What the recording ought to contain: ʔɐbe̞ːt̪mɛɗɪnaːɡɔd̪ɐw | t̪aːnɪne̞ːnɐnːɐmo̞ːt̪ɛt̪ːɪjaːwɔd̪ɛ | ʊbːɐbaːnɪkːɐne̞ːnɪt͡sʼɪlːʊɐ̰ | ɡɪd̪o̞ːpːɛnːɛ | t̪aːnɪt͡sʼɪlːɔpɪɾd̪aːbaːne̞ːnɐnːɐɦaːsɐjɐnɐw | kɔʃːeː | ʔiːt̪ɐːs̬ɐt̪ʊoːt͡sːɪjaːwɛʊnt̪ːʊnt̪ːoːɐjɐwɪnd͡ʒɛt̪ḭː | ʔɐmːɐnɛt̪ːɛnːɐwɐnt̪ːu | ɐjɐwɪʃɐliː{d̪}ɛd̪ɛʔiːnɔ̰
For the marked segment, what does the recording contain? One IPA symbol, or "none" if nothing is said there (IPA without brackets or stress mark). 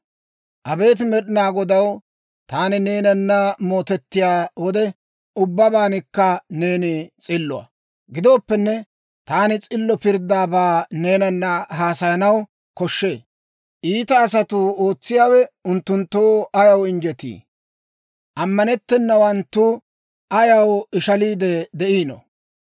d̪